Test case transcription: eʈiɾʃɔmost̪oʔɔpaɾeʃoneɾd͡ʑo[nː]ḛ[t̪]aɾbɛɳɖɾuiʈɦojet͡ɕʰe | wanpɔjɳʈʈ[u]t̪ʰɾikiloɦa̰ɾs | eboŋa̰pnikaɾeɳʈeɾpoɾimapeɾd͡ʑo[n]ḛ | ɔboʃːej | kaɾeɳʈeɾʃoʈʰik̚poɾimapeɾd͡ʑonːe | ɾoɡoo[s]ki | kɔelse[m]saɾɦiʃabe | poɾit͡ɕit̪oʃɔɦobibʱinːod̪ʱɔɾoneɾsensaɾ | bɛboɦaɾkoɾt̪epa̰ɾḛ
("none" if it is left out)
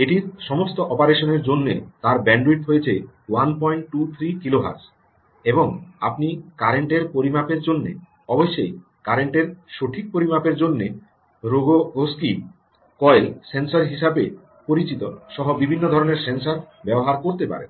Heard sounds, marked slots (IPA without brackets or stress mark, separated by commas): nː, t̪, u, nː, s, n